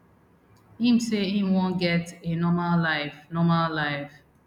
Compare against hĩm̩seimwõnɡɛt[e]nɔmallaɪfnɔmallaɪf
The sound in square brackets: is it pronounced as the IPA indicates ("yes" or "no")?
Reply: yes